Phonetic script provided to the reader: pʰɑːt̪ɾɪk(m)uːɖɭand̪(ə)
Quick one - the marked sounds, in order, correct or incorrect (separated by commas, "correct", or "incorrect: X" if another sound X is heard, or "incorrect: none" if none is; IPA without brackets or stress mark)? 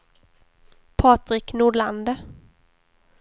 incorrect: n, correct